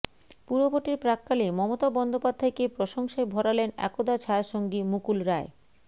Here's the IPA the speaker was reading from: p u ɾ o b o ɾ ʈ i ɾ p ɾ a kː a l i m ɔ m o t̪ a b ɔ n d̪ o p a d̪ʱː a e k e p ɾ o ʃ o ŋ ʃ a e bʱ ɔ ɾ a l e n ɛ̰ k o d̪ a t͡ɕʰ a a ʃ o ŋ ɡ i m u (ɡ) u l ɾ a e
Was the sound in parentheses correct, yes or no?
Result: no